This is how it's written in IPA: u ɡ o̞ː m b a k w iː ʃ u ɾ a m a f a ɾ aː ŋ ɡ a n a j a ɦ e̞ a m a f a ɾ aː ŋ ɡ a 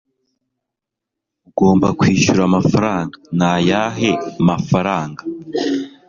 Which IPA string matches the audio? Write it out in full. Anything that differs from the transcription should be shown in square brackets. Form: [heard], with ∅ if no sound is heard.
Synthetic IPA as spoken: u ɡ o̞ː m b a k w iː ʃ u ɾ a m a f a ɾ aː ŋ ɡ a n a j a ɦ e̞ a m a f a ɾ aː ŋ ɡ a